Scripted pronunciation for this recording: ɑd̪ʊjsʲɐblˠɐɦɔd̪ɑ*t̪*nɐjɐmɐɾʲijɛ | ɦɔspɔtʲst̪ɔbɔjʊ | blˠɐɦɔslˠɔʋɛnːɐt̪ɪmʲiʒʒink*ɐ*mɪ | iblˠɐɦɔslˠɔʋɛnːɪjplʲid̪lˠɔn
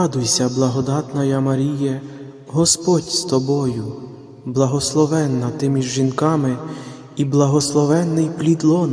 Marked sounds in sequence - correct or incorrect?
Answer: correct, incorrect

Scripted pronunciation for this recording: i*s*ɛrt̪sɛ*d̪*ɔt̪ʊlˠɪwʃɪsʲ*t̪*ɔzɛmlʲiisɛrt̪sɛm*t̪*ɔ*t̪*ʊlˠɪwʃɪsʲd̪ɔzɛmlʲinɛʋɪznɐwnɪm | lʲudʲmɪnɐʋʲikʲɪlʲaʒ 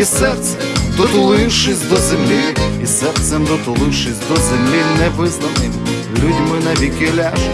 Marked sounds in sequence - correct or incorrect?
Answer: correct, correct, incorrect, incorrect, correct

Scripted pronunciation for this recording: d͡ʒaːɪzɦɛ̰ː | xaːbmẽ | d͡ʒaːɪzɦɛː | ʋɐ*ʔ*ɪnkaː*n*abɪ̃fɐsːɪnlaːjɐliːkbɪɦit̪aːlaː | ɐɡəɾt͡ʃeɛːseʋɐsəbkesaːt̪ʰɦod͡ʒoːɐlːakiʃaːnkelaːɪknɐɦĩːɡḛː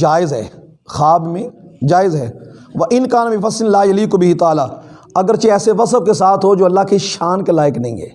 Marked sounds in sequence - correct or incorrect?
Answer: correct, correct

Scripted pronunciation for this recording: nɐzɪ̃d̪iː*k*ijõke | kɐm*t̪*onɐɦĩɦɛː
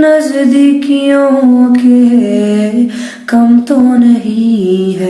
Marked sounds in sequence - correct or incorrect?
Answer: correct, correct

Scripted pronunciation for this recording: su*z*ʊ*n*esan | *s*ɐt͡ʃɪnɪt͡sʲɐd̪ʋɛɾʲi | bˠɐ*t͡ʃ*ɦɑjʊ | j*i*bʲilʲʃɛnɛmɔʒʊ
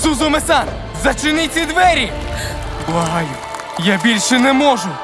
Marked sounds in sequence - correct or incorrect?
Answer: correct, incorrect, incorrect, incorrect, incorrect

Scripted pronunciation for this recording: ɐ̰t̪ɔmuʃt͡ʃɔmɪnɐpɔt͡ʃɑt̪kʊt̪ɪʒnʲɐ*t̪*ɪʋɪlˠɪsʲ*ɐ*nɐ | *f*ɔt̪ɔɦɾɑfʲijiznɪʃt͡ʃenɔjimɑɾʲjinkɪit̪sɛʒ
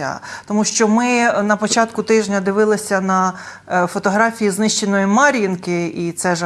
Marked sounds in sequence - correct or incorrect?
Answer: incorrect, correct, correct

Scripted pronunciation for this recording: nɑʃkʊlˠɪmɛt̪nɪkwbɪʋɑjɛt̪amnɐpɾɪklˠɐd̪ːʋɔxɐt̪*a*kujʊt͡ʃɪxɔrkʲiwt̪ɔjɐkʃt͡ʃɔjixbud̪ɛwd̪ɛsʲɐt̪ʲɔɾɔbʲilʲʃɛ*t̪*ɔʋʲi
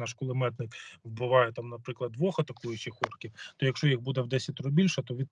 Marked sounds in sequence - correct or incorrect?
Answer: incorrect, correct

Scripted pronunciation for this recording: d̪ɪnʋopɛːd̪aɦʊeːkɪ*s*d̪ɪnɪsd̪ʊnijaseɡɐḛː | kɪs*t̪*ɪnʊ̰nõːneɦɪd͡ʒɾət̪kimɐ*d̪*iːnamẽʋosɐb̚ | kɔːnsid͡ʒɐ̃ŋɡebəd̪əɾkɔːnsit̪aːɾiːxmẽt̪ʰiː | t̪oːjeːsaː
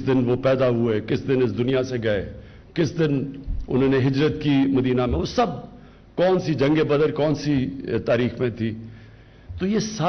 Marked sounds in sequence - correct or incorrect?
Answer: correct, incorrect, correct

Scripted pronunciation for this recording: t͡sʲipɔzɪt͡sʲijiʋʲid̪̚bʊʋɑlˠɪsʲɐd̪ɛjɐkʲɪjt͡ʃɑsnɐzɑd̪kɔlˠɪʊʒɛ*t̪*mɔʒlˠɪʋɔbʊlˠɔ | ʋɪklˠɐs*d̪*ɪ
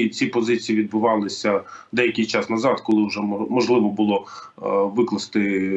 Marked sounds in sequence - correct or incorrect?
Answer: incorrect, incorrect

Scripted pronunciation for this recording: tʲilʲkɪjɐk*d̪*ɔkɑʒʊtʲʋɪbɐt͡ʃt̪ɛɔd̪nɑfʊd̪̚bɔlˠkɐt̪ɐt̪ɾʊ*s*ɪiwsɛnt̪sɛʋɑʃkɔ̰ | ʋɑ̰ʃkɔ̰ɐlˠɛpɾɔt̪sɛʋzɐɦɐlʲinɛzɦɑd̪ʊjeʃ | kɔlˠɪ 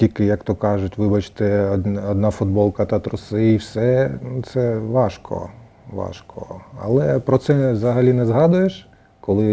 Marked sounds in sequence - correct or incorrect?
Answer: incorrect, correct

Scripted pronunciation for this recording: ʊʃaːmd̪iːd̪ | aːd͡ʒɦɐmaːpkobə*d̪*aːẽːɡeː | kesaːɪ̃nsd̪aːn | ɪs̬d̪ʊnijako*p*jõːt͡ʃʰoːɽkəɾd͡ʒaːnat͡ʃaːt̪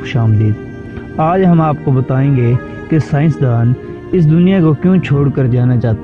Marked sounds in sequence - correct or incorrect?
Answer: incorrect, incorrect

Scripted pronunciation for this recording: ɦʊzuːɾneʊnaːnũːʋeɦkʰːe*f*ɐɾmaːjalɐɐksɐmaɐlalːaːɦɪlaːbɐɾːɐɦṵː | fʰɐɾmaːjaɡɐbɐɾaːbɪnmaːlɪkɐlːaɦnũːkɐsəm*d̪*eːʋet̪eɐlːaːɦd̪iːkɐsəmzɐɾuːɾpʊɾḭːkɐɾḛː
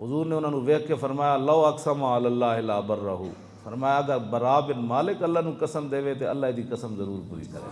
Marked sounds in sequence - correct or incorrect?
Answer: correct, correct

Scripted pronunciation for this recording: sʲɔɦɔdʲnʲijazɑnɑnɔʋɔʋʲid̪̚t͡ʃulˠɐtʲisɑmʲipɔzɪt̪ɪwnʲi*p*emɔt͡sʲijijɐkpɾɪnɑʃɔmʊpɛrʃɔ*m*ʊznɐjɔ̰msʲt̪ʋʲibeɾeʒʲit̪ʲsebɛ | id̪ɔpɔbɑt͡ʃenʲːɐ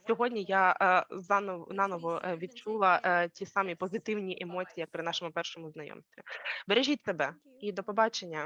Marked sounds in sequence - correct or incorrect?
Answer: incorrect, correct

